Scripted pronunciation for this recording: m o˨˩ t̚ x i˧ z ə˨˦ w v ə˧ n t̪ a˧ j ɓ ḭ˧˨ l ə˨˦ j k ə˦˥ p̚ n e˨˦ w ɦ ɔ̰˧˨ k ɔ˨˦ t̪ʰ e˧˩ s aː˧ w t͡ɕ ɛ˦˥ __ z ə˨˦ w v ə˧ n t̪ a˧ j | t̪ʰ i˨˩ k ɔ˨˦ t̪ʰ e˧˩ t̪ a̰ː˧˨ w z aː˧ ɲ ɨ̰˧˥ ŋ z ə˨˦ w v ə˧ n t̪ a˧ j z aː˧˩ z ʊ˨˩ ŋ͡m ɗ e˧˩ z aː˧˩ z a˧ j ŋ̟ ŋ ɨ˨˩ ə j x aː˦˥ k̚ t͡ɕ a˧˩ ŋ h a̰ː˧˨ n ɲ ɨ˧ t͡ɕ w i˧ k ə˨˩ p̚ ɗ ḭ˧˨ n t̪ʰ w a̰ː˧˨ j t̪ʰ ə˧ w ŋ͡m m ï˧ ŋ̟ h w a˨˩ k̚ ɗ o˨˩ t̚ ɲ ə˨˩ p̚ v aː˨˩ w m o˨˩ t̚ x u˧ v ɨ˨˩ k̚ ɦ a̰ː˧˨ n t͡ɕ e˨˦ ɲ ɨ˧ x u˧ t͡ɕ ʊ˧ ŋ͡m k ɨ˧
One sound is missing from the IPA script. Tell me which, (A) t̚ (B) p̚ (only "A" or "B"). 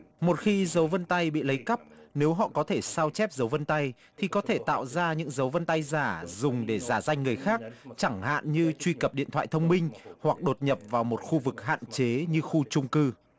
B